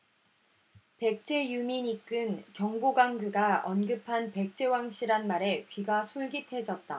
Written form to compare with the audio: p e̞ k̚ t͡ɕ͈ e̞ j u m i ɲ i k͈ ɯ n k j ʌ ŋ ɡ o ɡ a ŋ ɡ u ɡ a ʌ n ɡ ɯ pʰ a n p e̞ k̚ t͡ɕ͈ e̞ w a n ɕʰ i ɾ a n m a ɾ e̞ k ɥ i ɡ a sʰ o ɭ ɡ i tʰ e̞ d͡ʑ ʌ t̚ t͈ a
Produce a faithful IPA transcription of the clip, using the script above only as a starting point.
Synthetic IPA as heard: p e̞ k̚ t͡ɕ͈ e̞ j u m i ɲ i k͈ ɯ n k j ʌ ŋ ɡ o ɡ a ŋ ɡ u ɡ a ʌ n ɡ ɯ pʰ a n p e̞ k̚ t͡ɕ͈ e̞ w a ŋ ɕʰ i ɾ a n m a ɾ e̞ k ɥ i ɡ a sʰ o ɭ ɡ i tʰ e̞ d͡ʑ ʌ t̚ t͈ a

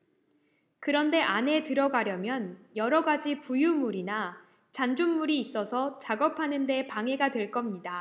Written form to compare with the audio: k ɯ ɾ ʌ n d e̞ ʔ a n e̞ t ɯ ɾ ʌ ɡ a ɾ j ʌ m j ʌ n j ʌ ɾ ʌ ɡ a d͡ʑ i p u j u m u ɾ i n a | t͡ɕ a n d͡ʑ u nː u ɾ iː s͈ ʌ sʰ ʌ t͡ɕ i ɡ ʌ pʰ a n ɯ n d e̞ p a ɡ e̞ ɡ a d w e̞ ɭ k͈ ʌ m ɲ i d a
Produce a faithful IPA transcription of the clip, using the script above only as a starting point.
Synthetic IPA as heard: k ɯ ɾ ʌ n d e̞ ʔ a n e̞ t ɯ ɾ ʌ ɡ a ɾ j ʌ m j ʌ n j ʌ ɾ ʌ ɡ a d͡ʑ i p u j u m u ɾ i n a | t͡ɕ a n d͡ʑ u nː u ɾ iː s͈ ʌ sʰ ʌ t͡ɕ a ɡ ʌ pʰ a n ɯ n d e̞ p a ŋ e̞ ɡ a d w e̞ ɭ k͈ ʌ m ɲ i d a

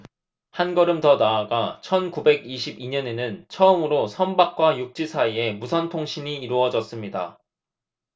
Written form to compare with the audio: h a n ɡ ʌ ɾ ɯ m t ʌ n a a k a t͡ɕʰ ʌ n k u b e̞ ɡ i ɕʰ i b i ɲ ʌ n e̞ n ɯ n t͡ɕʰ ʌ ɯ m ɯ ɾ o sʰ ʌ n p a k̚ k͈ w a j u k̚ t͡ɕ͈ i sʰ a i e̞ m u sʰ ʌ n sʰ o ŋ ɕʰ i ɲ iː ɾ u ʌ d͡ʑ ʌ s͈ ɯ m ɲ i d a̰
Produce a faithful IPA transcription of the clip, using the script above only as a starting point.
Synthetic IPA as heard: h a n ɡ ʌ ɾ ɯ m t ʌ n a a ɡ a t͡ɕʰ ʌ n k u b e̞ ɡ i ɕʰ i b i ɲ ʌ n e̞ n ɯ n t͡ɕʰ ʌ ɯ m ɯ ɾ o sʰ ʌ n b a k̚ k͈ w a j u k̚ t͡ɕ͈ i sʰ a i e̞ m u sʰ ʌ n tʰ o ŋ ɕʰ i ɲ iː ɾ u ʌ d͡ʑ ʌ s͈ ɯ m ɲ i d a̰

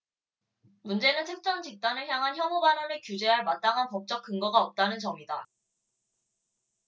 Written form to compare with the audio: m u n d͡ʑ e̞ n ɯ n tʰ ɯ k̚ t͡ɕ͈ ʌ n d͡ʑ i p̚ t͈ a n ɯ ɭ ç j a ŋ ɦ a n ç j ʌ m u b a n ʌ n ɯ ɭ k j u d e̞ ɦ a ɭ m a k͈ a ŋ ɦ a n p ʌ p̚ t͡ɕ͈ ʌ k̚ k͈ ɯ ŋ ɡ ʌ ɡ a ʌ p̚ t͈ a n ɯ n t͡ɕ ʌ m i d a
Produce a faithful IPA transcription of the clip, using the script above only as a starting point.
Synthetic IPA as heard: m u n d͡ʑ e̞ n ɯ n tʰ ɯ k̚ t͡ɕ͈ ʌ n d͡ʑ i k̚ t͈ a n ɯ ɭ ç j a ŋ ɦ a n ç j ʌ m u b a n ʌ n ɯ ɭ k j u d͡ʑ e̞ ɦ a ɭ m a t͈ a ŋ ɦ a n p ʌ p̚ t͡ɕ͈ ʌ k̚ k͈ ɯ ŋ ɡ ʌ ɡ a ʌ p̚ t͈ a n ɯ n t͡ɕ ʌ m i d a

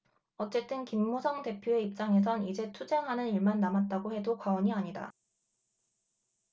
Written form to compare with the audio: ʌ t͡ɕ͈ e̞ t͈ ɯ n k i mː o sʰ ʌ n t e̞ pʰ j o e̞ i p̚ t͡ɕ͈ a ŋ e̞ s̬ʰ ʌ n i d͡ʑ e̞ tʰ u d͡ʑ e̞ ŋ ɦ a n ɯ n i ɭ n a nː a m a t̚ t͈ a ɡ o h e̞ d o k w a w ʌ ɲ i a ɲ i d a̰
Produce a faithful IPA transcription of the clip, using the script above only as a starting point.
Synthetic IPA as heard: ʌ t͡ɕ͈ e̞ t͈ ɯ n k i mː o sʰ ʌ ŋ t e̞ pʰ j o e̞ i p̚ t͡ɕ͈ a ŋ e̞ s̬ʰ ʌ n i d͡ʑ e̞ tʰ u d͡ʑ e̞ ŋ ɦ a n ɯ n i ɭ m a nː a m a t̚ t͈ a ɡ o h e̞ d o k w a w ʌ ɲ i a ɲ i d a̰

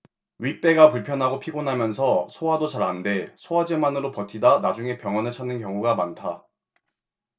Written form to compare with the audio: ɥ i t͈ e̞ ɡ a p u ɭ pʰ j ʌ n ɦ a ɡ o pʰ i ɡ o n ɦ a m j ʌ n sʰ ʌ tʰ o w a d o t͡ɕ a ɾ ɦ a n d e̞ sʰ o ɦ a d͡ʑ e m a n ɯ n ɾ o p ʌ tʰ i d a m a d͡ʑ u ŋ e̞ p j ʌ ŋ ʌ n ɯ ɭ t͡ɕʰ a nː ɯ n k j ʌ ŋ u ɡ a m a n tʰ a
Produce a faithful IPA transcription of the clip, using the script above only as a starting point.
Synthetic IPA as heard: ɥ i t͈ e̞ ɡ a p u ɭ pʰ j ʌ n ɦ a ɡ o pʰ i ɡ o n ɦ a m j ʌ n sʰ ʌ sʰ o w a d o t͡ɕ a ɾ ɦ a n d e̞ sʰ o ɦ a d͡ʑ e m a n ɯ ɾ o p ʌ tʰ i d a n a d͡ʑ u ŋ e̞ p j ʌ ŋ ʌ n ɯ ɭ t͡ɕʰ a nː ɯ n k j ʌ ŋ u ɡ a m a n tʰ a

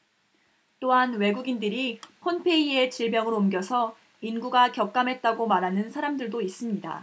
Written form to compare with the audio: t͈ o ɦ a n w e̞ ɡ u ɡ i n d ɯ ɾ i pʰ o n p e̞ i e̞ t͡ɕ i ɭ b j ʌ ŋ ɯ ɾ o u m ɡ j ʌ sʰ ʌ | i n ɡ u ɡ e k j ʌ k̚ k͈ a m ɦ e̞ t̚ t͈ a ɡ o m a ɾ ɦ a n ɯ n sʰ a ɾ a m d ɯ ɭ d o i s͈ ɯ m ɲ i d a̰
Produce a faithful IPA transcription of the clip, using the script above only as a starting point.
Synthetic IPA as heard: t͈ o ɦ a n w e̞ ɡ u ɡ i n d ɯ ɾ i pʰ o n pʰ e̞ i e̞ t͡ɕ i ɭ b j ʌ ŋ ɯ ɾ o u m ɡ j ʌ sʰ ʌ | i n ɡ u ɡ a k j ʌ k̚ k͈ a m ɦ e̞ t̚ t͈ a ɡ o m a ɾ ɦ a n ɯ n sʰ a ɾ a m d ɯ ɭ d o i s͈ ɯ m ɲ i d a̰

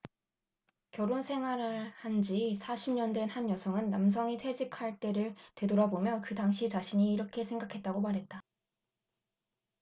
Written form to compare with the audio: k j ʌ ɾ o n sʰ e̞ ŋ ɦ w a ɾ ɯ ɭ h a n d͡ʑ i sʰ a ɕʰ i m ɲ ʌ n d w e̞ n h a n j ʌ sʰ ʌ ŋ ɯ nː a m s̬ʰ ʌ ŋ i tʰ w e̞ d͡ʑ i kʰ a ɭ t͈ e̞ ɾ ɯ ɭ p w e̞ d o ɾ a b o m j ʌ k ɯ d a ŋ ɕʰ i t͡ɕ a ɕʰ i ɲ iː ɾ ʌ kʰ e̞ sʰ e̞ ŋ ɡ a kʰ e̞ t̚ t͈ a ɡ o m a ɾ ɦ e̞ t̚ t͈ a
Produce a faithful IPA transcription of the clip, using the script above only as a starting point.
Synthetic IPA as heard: k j ʌ ɾ o n sʰ e̞ ŋ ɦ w a ɾ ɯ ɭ h a n d͡ʑ i sʰ a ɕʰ i m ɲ ʌ n d w e̞ n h a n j ʌ sʰ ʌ ŋ ɯ nː a m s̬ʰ ʌ ŋ i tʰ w e̞ d͡ʑ i kʰ a ɭ t͈ e̞ ɾ ɯ ɭ t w e̞ d o ɾ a b o m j ʌ k ɯ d a ŋ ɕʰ i t͡ɕ a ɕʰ i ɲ iː ɾ ʌ kʰ e̞ sʰ e̞ ŋ ɡ a kʰ e̞ t̚ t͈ a ɡ o m a ɾ ɦ e̞ t̚ t͈ a

